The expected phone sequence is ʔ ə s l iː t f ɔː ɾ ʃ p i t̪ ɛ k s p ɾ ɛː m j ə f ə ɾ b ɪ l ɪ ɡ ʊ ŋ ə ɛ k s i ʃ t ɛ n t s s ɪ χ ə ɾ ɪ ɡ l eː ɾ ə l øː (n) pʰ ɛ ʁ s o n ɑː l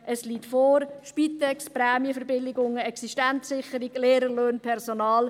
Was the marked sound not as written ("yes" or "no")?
no